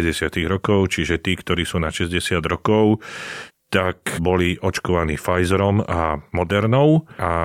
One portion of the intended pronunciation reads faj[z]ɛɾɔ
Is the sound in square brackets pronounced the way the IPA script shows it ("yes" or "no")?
yes